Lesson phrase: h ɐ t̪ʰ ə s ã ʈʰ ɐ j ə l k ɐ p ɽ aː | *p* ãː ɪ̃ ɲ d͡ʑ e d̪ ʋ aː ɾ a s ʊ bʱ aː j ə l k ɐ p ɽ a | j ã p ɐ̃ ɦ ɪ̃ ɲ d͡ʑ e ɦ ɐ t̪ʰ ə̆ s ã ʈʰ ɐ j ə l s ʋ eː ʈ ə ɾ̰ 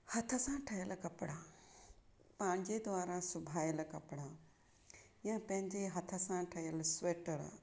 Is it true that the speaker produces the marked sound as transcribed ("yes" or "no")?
yes